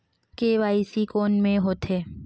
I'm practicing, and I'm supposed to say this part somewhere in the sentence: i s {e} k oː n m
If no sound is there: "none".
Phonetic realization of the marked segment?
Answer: i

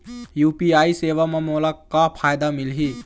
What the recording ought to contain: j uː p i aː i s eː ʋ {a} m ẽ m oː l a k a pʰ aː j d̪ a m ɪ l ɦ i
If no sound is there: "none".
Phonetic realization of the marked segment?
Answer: a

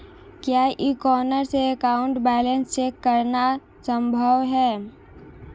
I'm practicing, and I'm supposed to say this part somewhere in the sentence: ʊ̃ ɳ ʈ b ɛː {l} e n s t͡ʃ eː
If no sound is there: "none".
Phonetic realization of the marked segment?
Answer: l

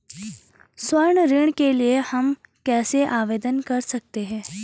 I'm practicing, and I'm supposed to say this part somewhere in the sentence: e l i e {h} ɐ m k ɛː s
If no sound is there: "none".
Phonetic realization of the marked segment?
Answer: h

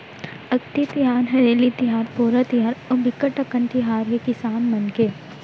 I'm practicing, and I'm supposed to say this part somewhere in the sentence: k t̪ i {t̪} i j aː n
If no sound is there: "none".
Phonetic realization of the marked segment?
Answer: t̪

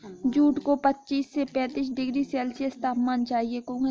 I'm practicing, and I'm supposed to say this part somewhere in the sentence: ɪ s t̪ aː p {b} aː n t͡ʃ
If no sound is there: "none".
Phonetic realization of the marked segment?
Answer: m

